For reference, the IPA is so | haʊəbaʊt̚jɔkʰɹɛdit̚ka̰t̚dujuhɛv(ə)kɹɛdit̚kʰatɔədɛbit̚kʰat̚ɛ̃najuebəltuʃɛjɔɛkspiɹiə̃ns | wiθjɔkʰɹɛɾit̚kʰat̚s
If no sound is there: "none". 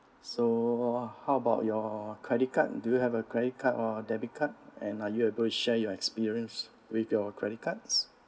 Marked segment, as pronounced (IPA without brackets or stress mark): ə